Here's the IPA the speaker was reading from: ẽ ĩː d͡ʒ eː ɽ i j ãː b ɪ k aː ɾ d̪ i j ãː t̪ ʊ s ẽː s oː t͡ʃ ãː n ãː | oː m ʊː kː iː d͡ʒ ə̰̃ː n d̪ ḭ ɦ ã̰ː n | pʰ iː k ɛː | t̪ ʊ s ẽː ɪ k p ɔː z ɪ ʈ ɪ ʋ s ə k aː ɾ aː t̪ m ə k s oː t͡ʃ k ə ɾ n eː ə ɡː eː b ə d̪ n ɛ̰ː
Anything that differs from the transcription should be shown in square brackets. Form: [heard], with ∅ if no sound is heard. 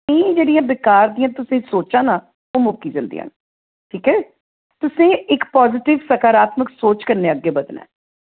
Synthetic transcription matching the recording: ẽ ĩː d͡ʒ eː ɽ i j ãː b ɪ k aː ɾ d̪ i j ãː t̪ ʊ s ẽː s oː t͡ʃ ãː n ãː | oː m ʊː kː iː d͡ʒ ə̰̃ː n d̪ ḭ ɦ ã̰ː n | [ʈʰ] iː k ɛː | t̪ ʊ s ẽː ɪ k p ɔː z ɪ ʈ ɪ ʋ s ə k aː ɾ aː t̪ m ə k s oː t͡ʃ k ə ɾ n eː ə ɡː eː b ə d̪ n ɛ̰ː